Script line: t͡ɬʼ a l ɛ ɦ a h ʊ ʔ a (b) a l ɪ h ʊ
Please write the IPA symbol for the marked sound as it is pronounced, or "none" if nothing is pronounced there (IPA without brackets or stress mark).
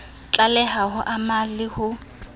m